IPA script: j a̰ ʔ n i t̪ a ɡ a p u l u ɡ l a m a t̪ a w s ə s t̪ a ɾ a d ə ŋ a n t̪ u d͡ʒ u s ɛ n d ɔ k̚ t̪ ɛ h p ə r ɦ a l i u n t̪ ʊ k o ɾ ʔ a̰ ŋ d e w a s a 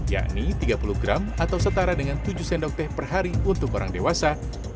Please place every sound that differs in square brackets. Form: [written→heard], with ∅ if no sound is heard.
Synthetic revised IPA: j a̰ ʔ n i t̪ [a→i] ɡ a p u l u ɡ [l→ɾ] a m a t̪ a w s ə [s→∅] t̪ a ɾ a d ə ŋ a n t̪ u d͡ʒ u s ɛ n d ɔ k̚ t̪ ɛ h p ə r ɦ a [l→ɾ] i u n t̪ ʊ k o ɾ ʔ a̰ ŋ d e w a s a